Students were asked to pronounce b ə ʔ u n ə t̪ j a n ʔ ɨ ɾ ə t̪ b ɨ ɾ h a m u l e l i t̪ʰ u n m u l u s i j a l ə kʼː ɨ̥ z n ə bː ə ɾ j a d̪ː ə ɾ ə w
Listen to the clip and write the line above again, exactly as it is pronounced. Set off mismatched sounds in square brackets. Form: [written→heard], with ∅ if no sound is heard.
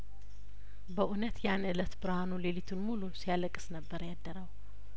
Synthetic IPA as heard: b ə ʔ u n ə t̪ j a n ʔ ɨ [ɾ→l] ə t̪ b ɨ ɾ h a [m→n] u l e l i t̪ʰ u n m u l u s i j a l ə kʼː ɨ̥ [z→s] n ə bː ə ɾ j a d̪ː ə ɾ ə w